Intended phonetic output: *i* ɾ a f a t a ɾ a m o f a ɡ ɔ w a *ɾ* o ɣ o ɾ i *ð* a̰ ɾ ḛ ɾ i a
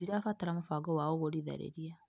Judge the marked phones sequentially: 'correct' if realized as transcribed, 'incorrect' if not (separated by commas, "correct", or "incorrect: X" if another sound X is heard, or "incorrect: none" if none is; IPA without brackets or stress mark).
correct, incorrect: none, correct